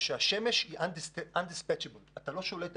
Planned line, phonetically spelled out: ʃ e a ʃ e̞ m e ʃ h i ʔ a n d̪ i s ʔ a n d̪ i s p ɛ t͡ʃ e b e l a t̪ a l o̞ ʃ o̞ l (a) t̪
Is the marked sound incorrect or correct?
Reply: incorrect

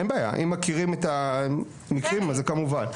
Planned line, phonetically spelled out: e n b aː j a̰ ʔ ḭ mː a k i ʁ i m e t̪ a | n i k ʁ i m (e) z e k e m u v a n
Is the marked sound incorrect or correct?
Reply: incorrect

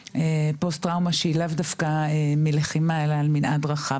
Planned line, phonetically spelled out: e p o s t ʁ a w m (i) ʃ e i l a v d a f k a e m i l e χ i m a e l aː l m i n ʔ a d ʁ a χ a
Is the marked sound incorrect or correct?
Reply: incorrect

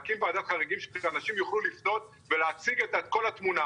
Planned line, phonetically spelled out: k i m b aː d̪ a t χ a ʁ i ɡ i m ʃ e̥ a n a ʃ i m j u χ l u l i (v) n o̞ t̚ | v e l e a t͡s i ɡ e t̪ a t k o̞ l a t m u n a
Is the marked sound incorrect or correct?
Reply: incorrect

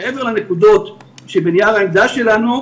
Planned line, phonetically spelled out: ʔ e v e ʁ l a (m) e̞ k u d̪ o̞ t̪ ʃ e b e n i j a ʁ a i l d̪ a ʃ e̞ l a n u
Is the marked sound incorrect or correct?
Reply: incorrect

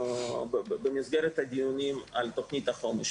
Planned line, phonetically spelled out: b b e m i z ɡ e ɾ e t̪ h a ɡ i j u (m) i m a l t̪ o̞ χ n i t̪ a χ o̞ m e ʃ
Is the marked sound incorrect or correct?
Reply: incorrect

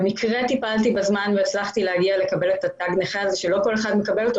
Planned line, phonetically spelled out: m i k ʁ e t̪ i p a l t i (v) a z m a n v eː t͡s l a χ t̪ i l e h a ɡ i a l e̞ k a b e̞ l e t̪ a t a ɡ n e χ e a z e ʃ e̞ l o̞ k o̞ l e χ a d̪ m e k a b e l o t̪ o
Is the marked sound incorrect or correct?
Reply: incorrect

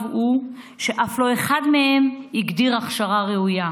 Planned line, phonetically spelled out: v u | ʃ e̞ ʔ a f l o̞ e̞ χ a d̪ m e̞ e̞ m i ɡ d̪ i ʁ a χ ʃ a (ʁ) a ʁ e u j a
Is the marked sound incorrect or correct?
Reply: correct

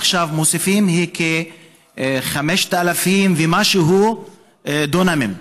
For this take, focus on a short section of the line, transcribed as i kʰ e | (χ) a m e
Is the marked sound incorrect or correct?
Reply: correct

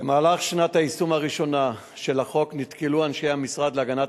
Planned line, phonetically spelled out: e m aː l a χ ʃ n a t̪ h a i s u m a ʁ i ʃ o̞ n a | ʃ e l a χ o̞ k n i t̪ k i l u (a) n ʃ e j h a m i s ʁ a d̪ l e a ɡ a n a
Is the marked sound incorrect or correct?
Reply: correct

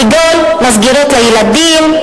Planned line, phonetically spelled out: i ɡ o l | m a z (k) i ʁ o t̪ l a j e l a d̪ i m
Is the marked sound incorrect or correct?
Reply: incorrect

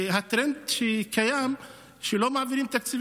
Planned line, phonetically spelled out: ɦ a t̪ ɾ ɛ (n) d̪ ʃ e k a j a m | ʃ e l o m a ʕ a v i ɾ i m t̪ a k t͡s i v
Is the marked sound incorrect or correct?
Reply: correct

